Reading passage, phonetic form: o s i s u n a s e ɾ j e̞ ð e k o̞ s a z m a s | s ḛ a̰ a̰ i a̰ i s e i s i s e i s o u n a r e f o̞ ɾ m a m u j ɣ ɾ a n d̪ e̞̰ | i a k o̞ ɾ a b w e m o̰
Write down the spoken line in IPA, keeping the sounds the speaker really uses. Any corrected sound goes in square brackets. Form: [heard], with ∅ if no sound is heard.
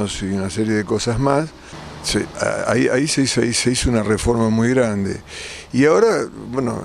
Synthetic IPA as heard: o s i [∅] u n a s e ɾ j e̞ ð e k o̞ s a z m a s | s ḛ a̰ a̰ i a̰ i s e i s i s e i s o u n a r e f o̞ ɾ m a m u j ɣ ɾ a n d̪ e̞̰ | i a [∅] o̞ ɾ a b w e [n] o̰